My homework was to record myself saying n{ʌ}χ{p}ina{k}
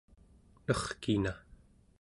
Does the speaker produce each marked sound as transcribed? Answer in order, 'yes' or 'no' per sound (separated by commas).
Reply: yes, no, no